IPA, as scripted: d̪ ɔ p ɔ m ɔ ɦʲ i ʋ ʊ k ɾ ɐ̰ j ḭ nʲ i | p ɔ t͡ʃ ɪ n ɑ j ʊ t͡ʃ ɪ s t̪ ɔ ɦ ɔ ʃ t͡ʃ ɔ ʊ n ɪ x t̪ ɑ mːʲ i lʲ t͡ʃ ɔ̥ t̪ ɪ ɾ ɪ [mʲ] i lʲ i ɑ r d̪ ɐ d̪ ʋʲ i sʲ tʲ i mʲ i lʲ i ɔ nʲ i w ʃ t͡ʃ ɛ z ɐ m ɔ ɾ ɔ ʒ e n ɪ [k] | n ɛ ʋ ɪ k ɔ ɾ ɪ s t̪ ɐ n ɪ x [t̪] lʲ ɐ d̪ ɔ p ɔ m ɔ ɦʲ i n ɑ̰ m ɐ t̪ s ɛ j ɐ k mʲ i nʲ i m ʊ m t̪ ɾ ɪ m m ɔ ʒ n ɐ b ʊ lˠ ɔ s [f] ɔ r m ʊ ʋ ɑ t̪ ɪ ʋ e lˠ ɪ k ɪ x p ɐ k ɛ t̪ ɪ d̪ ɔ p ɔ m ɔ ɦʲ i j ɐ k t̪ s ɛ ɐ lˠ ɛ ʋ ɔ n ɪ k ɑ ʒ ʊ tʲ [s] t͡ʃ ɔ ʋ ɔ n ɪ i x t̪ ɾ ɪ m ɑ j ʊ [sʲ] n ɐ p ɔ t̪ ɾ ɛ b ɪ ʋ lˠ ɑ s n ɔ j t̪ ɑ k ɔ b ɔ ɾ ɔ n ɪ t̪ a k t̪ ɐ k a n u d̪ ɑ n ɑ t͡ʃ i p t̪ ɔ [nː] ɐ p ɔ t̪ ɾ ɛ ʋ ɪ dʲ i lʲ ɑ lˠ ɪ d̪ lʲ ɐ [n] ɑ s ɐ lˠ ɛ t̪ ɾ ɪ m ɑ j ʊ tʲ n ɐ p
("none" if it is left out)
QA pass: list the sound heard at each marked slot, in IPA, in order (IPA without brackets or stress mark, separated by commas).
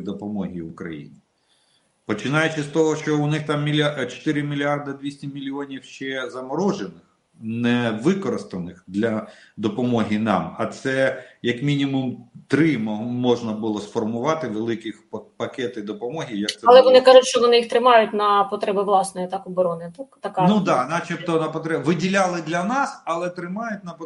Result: mʲ, x, d̪, f, ʃ, tʲ, n, n